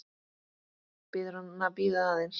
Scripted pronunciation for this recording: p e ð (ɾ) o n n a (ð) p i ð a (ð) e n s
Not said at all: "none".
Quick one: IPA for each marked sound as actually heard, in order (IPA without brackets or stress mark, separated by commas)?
ɾ, none, ð